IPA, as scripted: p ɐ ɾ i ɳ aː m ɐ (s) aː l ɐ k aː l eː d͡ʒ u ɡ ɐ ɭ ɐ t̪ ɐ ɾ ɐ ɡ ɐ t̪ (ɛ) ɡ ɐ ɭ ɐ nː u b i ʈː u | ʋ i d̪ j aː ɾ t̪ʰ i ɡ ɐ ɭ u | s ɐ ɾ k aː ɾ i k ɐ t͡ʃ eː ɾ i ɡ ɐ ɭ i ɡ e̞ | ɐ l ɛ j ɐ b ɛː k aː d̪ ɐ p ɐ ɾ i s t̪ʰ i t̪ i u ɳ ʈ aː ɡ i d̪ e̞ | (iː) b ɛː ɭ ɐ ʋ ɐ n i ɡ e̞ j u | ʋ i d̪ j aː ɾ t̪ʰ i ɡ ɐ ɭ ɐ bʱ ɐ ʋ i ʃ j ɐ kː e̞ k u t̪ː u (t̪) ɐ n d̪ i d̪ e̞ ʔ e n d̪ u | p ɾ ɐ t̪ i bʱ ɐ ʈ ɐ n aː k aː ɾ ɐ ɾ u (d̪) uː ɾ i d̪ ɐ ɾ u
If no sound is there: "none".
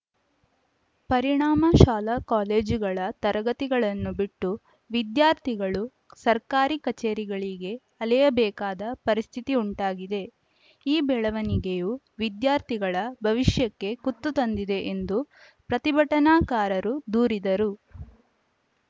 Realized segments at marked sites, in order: ʃ, i, iː, t̪, d̪

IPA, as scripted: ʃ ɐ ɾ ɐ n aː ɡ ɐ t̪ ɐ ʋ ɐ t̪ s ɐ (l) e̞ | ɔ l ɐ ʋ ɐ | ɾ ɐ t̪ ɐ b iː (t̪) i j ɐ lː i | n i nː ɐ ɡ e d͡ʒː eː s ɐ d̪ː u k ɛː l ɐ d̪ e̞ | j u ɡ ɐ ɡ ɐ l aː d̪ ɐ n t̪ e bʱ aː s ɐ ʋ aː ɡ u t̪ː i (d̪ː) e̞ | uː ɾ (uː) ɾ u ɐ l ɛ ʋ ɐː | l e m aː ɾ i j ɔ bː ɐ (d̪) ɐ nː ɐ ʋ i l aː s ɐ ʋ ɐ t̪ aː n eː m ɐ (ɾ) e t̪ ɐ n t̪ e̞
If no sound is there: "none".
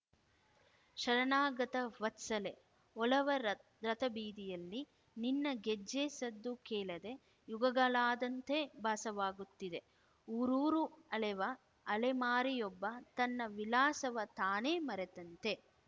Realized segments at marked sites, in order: l, d̪, d̪, uː, t̪, ɾ

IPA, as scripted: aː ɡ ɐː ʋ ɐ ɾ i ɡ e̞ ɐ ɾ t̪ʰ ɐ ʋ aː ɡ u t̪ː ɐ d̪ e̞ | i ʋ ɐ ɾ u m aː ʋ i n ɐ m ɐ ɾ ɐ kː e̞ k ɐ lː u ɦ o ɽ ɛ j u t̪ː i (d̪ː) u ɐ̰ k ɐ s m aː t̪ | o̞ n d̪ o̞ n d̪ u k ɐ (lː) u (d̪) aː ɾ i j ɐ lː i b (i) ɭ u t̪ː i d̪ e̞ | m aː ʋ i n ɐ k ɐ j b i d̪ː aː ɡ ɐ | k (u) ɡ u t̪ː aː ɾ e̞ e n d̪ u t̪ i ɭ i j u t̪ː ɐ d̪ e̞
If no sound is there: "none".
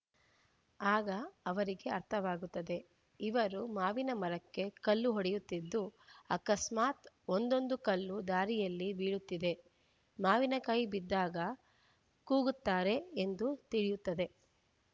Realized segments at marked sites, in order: d̪ː, lː, d̪, iː, uː

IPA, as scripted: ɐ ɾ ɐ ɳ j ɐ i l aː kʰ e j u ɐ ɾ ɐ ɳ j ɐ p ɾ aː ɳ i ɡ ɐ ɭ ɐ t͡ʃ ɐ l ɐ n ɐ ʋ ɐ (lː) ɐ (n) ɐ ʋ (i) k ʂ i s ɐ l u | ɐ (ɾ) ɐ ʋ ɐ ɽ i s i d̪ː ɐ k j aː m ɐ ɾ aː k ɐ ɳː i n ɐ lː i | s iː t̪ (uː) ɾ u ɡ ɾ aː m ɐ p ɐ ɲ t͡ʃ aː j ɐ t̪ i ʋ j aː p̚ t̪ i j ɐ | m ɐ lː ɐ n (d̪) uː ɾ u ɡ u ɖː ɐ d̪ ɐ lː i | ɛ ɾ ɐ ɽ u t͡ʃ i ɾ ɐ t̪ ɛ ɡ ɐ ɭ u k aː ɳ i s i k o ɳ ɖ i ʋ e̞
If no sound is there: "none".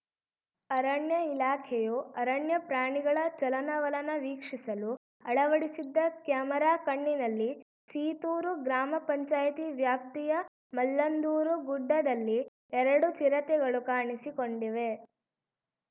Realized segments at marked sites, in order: l, n, iː, ɭ, uː, d̪

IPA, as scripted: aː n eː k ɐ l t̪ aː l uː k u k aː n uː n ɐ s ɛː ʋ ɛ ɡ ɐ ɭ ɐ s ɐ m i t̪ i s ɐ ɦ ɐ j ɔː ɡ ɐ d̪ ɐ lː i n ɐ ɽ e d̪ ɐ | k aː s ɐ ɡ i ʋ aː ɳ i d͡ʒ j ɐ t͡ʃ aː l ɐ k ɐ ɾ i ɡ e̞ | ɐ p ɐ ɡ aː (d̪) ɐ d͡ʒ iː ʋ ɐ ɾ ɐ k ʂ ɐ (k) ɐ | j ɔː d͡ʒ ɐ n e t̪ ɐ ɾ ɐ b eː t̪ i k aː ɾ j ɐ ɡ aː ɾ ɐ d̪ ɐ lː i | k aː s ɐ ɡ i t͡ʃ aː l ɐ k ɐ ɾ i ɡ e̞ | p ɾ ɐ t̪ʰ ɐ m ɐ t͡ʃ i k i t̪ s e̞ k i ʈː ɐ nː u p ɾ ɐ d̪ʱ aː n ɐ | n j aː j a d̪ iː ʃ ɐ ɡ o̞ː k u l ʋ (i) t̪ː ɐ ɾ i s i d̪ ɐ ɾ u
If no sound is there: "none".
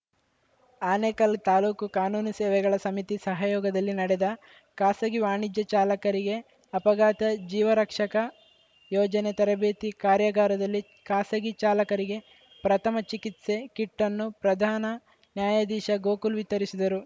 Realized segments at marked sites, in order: t̪, k, i

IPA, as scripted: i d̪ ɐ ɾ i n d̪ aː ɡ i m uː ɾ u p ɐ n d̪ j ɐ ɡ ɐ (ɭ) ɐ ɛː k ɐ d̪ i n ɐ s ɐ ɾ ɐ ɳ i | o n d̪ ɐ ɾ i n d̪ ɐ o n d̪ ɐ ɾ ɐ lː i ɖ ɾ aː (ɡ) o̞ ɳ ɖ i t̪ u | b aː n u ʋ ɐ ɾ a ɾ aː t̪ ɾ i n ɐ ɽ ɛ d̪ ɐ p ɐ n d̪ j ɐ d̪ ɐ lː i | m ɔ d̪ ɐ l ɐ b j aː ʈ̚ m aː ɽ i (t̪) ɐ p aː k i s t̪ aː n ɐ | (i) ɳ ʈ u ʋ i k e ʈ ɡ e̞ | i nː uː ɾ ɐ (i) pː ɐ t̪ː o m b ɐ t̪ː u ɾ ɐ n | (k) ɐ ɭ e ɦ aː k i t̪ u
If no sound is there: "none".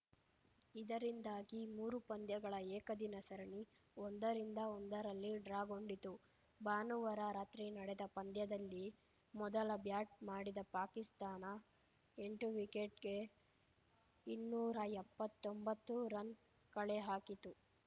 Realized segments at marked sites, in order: ɭ, ɡ, d̪, e, ɛ, k

